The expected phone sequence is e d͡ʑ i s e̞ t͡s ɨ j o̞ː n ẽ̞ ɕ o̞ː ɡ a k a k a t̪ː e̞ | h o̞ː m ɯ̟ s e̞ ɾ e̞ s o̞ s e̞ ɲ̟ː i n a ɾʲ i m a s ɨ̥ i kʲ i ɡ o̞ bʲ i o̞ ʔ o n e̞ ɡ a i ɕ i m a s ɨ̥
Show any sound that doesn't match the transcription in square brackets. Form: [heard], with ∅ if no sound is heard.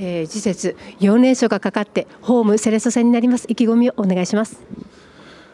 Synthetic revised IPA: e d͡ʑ i s e̞ t͡s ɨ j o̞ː n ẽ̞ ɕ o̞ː ɡ a k a k a t̪ː e̞ | h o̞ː m ɯ̟ s e̞ ɾ e̞ s o̞ s e̞ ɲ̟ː i n a ɾʲ i m a s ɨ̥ i kʲ i ɡ o̞ [mʲ] i o̞ ʔ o n e̞ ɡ a i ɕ i m a s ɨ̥

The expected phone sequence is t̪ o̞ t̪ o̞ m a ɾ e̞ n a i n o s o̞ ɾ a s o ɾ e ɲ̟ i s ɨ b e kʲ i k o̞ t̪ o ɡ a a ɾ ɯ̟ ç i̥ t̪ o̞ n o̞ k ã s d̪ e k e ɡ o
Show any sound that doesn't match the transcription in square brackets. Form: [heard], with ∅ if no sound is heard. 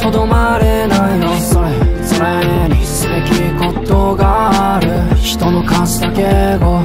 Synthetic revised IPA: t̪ o̞ [d̪] o̞ m a ɾ e̞ n a i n o s o̞ ɾ [e] s o ɾ e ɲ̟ i s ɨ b e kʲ i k o̞ t̪ o ɡ a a ɾ ɯ̟ ç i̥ t̪ o̞ n o̞ k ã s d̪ [a] k e ɡ o

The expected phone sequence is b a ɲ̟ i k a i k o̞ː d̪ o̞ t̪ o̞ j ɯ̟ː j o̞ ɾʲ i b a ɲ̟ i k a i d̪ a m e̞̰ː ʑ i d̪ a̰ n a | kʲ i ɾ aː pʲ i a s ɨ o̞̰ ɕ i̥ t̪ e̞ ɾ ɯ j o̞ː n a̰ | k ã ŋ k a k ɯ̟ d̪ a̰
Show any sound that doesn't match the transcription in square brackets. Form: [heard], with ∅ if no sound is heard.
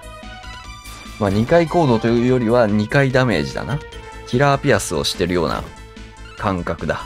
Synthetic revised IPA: [m] a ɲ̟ i k a i k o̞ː d̪ o̞ t̪ o̞ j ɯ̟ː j o̞ ɾʲ i [β] a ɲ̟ i k a i d̪ a m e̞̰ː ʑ i d̪ a̰ n a | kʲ i ɾ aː pʲ i a s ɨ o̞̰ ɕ i̥ t̪ e̞ ɾ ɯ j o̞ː n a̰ | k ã ŋ k a k ɯ̟ d̪ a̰

